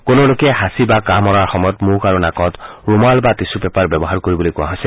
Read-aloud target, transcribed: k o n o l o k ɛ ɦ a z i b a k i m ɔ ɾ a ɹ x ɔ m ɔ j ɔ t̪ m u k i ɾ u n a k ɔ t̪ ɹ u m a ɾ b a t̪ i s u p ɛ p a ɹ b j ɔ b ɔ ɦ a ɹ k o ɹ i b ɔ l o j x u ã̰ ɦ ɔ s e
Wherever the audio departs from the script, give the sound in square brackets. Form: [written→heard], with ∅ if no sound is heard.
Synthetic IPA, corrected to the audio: k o n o l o k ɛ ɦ a [z→s] i b a k [i→a] m ɔ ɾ a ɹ x ɔ m ɔ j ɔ t̪ m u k [i→a] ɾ u n a k ɔ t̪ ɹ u m a [ɾ→l] b a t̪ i s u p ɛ p a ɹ b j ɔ b ɔ ɦ a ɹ k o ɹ i b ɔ l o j [x→k] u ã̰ ɦ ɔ s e